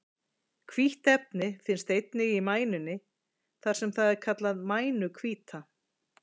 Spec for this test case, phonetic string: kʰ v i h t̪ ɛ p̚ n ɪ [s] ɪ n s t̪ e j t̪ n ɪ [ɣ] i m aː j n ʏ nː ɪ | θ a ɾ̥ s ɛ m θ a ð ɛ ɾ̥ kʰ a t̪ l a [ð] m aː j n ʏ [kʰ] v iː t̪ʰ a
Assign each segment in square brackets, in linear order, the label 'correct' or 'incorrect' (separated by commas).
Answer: incorrect, correct, correct, correct